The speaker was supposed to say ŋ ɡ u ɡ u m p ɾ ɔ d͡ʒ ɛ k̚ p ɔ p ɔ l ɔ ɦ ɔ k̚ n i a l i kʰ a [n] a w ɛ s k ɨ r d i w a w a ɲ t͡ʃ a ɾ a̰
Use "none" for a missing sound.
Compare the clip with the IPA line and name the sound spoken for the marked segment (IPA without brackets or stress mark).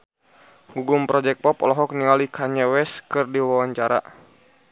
ɲ